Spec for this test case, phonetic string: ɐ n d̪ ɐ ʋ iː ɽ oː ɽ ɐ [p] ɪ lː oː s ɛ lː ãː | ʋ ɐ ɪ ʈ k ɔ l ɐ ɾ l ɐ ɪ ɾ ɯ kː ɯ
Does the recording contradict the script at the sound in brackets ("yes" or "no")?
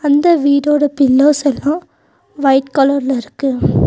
no